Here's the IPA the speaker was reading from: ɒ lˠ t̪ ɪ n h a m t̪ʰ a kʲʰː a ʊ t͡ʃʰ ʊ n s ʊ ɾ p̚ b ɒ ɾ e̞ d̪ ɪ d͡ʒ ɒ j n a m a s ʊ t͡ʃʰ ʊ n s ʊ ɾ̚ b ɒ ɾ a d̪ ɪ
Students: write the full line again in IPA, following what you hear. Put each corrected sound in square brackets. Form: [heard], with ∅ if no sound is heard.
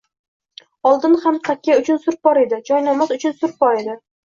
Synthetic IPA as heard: ɒ lˠ [d̪] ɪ n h a m t̪ʰ a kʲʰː a ʊ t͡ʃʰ ʊ n s ʊ ɾ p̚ b ɒ ɾ e̞ d̪ ɪ d͡ʒ ɒ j n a m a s ʊ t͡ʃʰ ʊ n s ʊ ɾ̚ b ɒ ɾ [e] d̪ ɪ